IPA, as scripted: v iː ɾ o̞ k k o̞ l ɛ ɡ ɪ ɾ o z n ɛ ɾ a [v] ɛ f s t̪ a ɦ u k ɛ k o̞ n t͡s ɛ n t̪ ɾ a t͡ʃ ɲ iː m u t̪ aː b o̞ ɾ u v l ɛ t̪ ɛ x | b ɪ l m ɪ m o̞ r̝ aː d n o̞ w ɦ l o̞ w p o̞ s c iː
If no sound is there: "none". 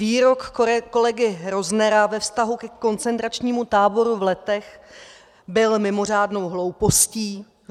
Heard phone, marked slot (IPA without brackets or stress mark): v